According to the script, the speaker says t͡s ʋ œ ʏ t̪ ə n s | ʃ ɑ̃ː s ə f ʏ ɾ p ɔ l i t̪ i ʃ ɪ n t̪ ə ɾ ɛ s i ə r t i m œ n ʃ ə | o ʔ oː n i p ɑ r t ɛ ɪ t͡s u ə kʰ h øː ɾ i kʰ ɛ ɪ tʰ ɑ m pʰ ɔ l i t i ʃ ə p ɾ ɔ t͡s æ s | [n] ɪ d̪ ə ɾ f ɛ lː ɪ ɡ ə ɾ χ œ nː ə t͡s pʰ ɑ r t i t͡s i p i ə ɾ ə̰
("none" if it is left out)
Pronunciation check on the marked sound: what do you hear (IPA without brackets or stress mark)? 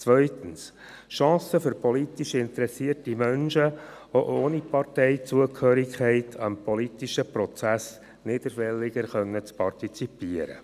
n